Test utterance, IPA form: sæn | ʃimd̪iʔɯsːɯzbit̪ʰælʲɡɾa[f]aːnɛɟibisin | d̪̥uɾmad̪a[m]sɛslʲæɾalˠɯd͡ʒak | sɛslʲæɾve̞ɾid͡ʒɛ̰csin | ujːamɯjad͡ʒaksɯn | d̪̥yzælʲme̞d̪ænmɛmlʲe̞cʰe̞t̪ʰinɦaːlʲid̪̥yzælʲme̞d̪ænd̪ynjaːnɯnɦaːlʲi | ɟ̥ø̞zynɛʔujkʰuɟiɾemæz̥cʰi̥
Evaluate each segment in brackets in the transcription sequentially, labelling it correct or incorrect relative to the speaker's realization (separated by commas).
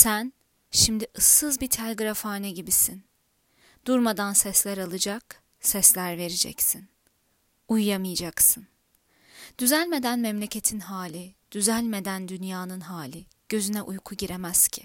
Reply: correct, incorrect